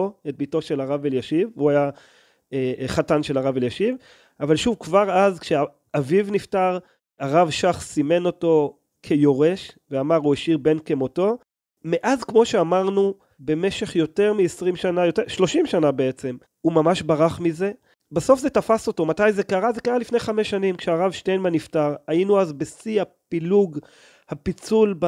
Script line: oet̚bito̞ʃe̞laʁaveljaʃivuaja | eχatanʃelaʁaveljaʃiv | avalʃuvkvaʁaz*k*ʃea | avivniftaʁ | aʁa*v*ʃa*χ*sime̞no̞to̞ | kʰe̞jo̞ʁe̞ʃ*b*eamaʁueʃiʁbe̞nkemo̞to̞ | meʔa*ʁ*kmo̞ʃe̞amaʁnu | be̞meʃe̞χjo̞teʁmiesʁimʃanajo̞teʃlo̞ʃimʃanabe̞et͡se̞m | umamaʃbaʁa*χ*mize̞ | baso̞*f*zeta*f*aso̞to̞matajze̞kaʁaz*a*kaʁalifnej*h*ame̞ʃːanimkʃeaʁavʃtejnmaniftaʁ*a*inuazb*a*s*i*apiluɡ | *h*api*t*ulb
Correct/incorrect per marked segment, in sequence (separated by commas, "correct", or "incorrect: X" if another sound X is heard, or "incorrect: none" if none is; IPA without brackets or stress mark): correct, correct, correct, incorrect: v, incorrect: z, correct, correct, correct, incorrect: e, incorrect: χ, correct, incorrect: e, correct, correct, incorrect: t͡s